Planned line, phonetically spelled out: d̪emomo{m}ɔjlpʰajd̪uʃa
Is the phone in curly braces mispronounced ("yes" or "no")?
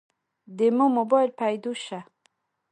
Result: yes